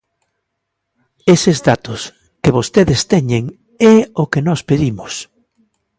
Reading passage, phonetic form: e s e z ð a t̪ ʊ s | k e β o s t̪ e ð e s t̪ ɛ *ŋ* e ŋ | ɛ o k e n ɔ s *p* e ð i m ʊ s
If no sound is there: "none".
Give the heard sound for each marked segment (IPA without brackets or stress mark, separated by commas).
ɲ, p